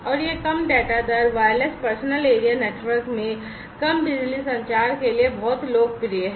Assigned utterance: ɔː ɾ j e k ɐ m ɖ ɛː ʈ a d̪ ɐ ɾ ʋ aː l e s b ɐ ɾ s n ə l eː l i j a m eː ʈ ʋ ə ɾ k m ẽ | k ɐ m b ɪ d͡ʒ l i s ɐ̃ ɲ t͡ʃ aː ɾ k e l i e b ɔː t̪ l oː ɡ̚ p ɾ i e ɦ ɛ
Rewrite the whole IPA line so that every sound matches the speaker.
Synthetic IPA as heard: ɔː ɾ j e k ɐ m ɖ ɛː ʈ a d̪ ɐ ɾ ʋ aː l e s p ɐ ɾ s n ə l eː ɾ i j a n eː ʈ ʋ ə ɾ k m ẽ | k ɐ m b ɪ d͡ʒ l i s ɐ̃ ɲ t͡ʃ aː ɾ k e l i e b ɔː t̪ l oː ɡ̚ p ɾ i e ɦ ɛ